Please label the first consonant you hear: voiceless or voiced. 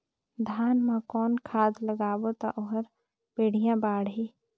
voiced